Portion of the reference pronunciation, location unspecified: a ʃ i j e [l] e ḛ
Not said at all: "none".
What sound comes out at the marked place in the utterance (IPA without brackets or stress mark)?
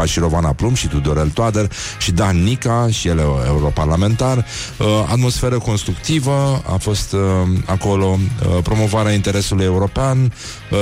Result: l